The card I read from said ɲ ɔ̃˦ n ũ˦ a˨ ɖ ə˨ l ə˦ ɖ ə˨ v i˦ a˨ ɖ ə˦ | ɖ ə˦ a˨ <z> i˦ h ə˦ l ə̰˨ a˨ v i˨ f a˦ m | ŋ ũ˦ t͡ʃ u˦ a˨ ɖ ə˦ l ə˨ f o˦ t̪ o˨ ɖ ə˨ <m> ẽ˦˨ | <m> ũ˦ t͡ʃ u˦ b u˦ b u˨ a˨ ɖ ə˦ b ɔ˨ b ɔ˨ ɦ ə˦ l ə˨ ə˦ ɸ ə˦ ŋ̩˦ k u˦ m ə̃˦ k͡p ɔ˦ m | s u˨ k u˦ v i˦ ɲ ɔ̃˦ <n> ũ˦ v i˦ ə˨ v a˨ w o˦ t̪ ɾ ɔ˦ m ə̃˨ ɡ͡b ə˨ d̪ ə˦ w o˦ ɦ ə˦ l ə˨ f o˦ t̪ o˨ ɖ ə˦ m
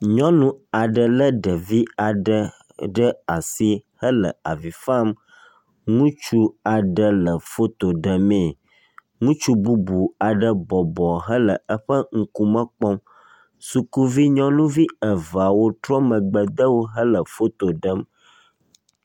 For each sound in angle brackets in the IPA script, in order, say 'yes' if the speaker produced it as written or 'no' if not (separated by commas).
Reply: no, yes, no, yes